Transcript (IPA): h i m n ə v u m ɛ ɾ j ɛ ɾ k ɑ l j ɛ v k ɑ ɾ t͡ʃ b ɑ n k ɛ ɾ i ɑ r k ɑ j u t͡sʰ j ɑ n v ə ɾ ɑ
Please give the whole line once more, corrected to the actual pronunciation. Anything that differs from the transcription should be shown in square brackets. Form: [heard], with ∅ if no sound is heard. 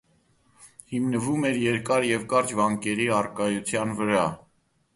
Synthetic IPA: h i m n ə v u m ɛ ɾ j ɛ ɾ k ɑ [ɾ] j ɛ v k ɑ ɾ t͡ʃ [v] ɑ [ŋ] k ɛ ɾ i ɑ r k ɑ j u t͡sʰ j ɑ n v ə ɾ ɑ